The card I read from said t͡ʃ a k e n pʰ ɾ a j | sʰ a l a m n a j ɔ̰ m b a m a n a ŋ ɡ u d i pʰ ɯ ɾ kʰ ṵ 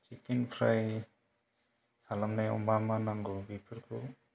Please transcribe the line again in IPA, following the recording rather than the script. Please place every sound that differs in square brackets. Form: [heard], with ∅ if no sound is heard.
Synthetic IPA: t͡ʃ [i] k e n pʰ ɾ a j | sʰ a l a m n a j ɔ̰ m b a m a n a ŋ ɡ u [b] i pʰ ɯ ɾ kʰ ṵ